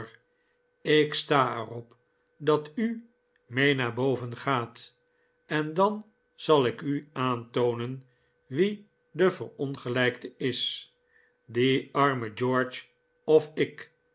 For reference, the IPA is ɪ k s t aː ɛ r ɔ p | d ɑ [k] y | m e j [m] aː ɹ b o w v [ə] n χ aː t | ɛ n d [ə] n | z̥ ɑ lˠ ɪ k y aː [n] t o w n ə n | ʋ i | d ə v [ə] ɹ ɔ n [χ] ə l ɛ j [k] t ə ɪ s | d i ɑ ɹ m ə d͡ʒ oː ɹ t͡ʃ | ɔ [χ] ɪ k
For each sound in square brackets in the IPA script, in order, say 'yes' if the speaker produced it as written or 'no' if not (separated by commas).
no, no, yes, no, yes, yes, yes, yes, no